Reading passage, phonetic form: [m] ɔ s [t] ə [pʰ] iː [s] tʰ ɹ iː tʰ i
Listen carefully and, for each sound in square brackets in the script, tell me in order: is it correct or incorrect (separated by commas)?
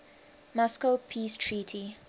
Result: correct, incorrect, correct, correct